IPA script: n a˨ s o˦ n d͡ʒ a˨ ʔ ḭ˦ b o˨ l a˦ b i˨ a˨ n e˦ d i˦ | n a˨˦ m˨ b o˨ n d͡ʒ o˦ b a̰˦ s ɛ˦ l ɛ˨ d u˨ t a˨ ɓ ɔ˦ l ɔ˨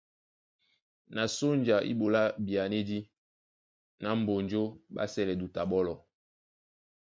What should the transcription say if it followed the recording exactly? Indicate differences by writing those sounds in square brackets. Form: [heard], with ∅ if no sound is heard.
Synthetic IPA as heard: n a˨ s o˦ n d͡ʒ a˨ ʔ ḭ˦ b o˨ l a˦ b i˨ a˨ n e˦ d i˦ | n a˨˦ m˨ b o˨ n d͡ʒ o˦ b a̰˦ s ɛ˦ l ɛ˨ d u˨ t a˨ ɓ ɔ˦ l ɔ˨